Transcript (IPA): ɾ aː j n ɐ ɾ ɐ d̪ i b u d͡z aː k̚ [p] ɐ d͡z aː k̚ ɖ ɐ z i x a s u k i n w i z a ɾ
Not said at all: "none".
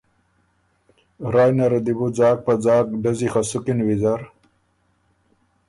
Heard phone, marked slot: p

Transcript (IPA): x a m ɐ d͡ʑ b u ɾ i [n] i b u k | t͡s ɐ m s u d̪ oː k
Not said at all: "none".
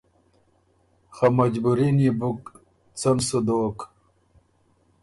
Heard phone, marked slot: n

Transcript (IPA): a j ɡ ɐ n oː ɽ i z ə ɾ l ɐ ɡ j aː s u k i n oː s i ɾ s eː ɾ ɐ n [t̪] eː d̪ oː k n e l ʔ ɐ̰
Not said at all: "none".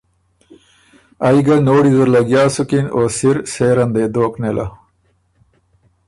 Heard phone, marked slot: d̪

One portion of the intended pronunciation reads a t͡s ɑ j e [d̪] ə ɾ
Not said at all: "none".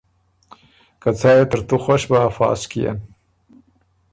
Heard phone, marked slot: t̪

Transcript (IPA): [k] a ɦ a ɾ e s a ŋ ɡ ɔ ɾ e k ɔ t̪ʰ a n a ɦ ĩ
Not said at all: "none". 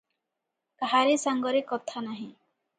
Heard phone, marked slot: k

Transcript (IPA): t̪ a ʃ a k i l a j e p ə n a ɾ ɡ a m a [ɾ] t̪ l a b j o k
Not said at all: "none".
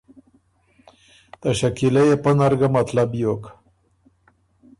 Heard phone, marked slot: none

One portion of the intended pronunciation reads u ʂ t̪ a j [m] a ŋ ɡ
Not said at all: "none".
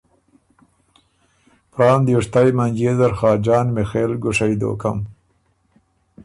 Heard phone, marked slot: m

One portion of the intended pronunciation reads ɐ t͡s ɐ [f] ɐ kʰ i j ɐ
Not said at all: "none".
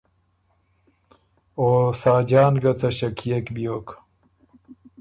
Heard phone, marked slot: ɕ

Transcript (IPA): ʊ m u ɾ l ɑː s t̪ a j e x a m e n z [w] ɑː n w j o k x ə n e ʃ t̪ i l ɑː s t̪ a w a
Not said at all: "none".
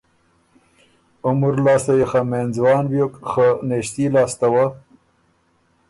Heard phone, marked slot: w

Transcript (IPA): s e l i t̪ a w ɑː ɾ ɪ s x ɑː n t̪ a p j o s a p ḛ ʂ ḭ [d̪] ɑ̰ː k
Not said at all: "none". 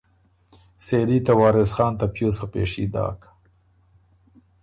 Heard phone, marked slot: d̪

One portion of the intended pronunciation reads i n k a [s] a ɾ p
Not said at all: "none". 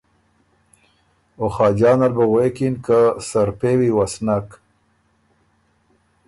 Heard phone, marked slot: s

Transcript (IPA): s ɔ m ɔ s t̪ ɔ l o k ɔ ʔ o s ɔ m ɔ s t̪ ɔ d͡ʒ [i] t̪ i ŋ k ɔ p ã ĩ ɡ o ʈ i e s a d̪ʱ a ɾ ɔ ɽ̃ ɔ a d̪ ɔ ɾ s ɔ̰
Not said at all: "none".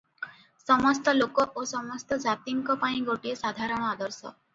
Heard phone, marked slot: a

